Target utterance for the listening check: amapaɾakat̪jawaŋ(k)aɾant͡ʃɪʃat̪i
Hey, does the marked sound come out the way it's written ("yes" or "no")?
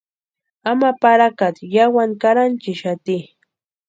yes